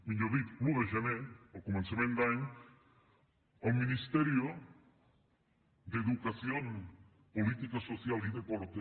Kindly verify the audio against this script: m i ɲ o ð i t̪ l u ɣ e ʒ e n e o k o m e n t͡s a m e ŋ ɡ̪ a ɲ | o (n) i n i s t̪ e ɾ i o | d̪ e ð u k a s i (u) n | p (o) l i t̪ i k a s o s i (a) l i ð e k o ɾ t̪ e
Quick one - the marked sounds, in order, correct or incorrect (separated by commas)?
incorrect, incorrect, correct, correct